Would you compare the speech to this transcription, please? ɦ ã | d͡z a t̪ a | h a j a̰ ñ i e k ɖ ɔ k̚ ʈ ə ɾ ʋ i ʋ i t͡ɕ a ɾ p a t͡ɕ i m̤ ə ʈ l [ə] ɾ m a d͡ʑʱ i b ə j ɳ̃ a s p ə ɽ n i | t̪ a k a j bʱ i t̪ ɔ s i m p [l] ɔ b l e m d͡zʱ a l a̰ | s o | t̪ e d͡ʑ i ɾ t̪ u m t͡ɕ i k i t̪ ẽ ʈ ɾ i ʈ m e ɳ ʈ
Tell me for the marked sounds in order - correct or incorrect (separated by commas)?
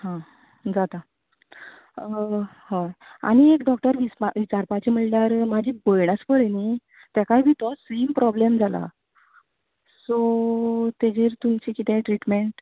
incorrect, incorrect